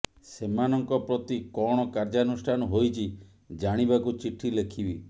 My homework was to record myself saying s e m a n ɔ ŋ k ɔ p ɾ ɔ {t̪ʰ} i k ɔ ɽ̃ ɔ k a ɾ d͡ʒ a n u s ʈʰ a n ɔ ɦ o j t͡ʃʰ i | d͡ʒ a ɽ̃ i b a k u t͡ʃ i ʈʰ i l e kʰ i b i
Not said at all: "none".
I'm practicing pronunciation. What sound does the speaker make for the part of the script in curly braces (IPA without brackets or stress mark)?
t̪